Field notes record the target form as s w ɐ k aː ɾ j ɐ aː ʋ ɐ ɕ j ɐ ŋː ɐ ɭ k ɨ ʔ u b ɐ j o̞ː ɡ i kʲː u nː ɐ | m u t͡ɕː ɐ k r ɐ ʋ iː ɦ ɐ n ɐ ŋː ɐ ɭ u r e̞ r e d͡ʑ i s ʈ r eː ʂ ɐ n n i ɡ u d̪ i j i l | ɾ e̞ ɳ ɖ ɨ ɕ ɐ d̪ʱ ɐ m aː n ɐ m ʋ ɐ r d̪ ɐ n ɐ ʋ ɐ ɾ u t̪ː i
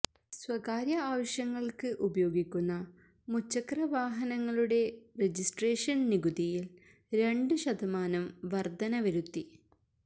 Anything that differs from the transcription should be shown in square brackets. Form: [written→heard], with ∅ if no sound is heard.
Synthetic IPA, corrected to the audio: s w ɐ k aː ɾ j ɐ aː ʋ ɐ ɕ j ɐ ŋː ɐ ɭ k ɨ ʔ u b ɐ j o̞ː ɡ i kʲː u nː ɐ | m u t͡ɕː ɐ k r ɐ ʋ [iː→aː] ɦ ɐ n ɐ ŋː ɐ ɭ u [r→ɽ] e̞ r e d͡ʑ i s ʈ r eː ʂ ɐ n n i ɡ u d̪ i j i l | ɾ e̞ ɳ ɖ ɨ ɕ ɐ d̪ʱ ɐ m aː n ɐ m ʋ ɐ r d̪ ɐ n ɐ ʋ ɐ ɾ u t̪ː i